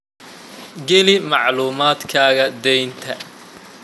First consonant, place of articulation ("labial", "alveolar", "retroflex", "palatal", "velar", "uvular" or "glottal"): velar